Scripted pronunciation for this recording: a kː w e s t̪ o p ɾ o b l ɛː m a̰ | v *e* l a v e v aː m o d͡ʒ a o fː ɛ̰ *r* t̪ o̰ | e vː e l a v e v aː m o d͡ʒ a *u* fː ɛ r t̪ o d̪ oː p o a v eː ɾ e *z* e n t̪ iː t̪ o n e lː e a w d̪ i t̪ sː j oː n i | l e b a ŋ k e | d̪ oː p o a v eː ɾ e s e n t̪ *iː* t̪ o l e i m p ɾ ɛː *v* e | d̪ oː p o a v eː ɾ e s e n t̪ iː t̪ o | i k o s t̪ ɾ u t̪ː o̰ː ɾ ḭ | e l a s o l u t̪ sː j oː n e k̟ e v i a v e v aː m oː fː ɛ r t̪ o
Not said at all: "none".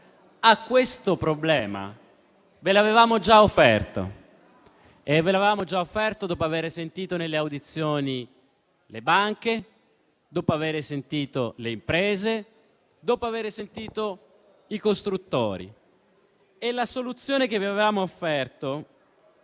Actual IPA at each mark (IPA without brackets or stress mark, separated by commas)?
e, r, o, s, iː, z